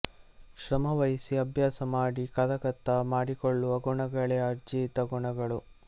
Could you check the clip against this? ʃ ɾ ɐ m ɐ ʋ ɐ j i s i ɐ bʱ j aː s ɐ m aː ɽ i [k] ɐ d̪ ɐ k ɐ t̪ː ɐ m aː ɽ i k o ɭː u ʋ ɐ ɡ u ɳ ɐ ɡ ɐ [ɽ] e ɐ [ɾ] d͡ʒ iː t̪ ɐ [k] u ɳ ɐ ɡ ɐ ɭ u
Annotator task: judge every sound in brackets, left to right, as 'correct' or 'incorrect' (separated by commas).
correct, incorrect, correct, incorrect